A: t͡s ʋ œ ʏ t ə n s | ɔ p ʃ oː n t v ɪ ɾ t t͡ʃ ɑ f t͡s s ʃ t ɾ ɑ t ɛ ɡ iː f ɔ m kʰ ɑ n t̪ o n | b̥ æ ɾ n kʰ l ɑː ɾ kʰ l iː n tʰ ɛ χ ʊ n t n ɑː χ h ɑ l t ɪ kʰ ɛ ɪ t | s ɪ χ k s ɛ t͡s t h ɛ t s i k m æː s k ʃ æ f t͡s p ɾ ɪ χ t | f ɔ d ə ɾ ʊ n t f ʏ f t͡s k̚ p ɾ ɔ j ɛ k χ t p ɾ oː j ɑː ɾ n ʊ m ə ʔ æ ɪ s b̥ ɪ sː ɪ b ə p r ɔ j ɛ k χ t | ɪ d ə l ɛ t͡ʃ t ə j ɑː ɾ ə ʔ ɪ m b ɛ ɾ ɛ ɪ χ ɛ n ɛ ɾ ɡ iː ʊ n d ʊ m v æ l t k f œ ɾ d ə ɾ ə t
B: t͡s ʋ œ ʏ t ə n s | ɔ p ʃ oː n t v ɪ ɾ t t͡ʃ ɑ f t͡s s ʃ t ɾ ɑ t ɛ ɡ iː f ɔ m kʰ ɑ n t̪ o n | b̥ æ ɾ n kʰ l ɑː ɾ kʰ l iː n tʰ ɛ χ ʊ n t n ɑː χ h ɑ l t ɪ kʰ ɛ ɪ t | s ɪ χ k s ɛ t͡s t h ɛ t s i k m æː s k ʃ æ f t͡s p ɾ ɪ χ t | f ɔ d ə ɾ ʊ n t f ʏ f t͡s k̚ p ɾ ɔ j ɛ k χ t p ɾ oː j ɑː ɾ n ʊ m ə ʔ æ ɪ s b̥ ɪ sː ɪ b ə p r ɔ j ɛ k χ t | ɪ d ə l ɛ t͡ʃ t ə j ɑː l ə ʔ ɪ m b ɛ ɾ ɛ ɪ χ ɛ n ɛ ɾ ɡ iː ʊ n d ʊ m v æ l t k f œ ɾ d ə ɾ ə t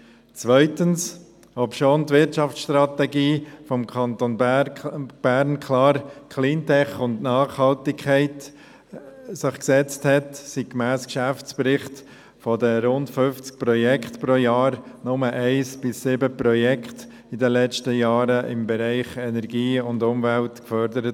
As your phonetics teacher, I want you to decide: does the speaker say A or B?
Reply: A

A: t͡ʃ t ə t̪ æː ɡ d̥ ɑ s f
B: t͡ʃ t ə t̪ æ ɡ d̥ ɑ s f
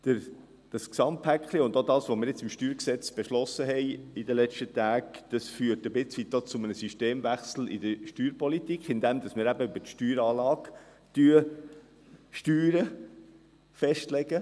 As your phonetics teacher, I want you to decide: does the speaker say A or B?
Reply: A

